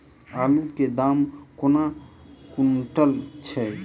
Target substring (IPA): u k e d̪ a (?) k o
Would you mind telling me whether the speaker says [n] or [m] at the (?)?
m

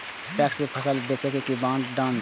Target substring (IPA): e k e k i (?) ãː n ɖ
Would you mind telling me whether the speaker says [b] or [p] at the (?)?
b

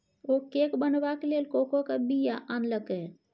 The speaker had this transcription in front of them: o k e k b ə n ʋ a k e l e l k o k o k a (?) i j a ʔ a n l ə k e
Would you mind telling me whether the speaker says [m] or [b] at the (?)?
b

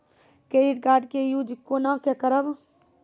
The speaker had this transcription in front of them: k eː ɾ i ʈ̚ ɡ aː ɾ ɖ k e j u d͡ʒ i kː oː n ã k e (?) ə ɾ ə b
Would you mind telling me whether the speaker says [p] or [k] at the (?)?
k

